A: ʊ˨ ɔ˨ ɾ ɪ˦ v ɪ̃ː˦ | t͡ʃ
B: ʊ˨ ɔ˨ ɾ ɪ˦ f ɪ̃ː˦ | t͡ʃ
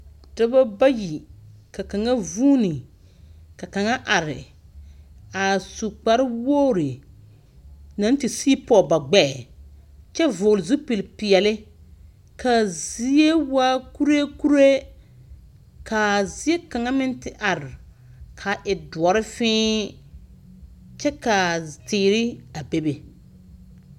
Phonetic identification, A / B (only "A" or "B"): B